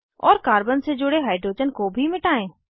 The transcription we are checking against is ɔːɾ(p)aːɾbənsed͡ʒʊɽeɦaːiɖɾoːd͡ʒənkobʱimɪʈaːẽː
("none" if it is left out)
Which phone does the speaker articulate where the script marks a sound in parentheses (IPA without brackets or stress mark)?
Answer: k